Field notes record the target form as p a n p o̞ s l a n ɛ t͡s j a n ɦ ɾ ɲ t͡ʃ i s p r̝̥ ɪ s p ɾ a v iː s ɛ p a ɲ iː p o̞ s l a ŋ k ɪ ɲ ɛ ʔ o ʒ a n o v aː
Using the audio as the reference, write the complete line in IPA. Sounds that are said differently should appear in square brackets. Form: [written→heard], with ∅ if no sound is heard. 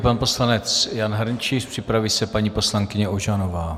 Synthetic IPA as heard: p a n p o̞ s l a n ɛ t͡s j a n ɦ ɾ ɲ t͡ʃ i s p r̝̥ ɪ [s→∅] p ɾ a v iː s ɛ p a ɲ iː p o̞ s l a ŋ k ɪ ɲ ɛ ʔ o ʒ a n o v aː